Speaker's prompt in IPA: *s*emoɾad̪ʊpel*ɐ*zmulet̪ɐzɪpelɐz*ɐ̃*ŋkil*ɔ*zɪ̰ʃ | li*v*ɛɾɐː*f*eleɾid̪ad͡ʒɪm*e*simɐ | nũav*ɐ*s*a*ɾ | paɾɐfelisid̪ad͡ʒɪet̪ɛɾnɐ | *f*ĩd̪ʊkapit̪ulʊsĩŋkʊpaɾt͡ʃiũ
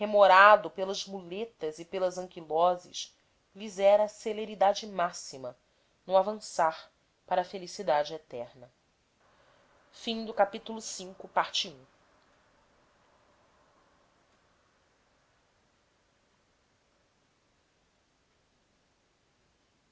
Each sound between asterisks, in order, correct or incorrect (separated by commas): incorrect, correct, correct, correct, incorrect, incorrect, incorrect, incorrect, correct, correct